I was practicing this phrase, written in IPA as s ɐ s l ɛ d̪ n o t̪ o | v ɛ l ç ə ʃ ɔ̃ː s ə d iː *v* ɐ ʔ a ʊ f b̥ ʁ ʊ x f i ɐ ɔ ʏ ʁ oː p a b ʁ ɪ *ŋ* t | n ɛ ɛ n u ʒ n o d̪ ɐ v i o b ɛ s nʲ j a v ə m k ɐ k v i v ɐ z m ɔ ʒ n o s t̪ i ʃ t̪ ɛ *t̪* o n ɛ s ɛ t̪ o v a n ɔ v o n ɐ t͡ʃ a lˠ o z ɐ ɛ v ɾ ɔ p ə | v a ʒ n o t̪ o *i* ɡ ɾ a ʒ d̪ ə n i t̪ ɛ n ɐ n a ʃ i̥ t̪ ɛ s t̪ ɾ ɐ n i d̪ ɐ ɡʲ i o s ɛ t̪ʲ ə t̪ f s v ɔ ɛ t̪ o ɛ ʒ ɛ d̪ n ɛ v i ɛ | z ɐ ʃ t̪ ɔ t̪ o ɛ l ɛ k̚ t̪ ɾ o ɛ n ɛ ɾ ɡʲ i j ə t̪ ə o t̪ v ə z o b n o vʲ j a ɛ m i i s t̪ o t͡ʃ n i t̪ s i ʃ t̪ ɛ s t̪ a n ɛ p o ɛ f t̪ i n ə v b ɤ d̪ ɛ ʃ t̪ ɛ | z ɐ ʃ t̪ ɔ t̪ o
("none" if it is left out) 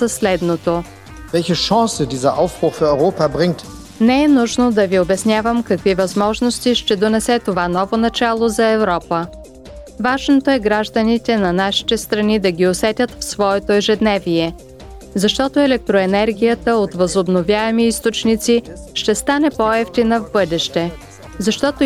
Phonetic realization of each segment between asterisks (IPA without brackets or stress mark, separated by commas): z, ŋ, d̪, ɛ